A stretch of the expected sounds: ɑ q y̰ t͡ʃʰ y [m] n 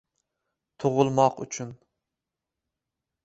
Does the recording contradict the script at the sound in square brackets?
yes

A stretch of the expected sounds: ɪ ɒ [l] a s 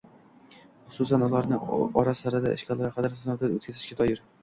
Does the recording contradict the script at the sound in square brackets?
yes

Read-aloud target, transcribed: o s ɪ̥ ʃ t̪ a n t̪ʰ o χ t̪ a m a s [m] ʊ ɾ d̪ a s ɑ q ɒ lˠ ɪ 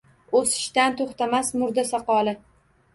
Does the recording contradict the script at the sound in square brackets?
no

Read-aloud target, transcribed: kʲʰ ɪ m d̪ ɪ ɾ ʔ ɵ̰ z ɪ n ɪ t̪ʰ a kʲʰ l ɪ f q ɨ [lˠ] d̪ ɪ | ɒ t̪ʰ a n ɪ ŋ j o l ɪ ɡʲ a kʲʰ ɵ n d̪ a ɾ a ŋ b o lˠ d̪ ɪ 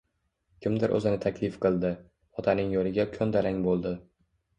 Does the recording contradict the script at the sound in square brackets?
no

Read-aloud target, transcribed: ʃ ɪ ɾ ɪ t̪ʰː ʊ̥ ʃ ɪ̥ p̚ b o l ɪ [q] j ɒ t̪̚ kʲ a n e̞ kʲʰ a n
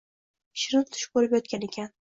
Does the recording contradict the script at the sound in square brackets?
yes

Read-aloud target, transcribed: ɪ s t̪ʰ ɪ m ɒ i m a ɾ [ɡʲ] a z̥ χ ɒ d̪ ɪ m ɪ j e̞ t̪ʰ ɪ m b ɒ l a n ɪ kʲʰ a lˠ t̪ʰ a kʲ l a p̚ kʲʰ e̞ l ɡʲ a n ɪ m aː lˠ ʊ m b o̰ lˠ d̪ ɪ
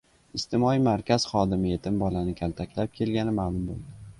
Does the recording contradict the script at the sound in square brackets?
yes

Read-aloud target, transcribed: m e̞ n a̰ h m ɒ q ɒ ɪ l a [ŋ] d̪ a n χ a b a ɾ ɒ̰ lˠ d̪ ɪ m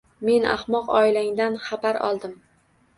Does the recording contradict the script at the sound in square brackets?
no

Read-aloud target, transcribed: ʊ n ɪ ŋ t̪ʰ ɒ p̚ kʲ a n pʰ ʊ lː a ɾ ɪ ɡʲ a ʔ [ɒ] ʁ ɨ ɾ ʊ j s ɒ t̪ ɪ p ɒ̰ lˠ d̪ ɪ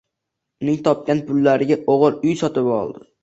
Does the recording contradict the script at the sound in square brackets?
yes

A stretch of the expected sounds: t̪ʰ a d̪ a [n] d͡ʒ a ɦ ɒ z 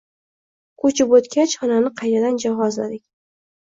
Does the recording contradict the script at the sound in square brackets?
no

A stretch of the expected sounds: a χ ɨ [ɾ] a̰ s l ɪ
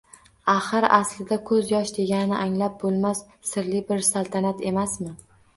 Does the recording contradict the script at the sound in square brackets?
no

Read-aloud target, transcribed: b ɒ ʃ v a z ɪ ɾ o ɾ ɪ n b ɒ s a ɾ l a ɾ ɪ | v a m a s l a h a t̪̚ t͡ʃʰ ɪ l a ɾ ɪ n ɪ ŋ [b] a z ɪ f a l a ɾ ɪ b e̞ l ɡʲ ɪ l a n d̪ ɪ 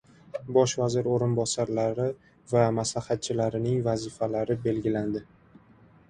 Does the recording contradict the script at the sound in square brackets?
yes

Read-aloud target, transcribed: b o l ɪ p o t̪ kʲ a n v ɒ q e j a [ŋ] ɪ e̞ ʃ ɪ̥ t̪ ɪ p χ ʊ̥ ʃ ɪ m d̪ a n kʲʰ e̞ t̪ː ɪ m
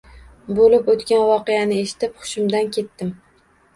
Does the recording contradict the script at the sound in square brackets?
yes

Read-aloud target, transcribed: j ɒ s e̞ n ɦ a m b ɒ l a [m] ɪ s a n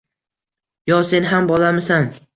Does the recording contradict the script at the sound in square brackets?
no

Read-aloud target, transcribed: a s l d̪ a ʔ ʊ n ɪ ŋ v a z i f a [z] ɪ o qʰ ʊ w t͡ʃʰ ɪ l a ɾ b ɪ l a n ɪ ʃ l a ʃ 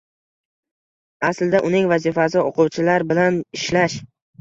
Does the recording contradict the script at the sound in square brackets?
yes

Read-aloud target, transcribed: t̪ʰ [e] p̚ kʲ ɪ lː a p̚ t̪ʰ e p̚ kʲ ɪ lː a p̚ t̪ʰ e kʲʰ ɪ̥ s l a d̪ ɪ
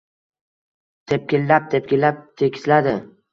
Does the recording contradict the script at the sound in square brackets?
no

